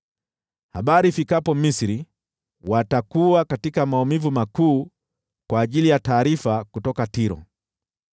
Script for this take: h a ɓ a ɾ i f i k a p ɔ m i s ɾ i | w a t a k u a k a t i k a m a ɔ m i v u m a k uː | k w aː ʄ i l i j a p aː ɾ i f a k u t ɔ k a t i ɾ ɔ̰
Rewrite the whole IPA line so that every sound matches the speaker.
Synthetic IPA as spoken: h a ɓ a ɾ i f i k a p ɔ m i s ɾ i | w a t a k u a k a t i k a m a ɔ m i v u m a k uː | k w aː ʄ i l i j a t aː ɾ i f a k u t ɔ k a t i ɾ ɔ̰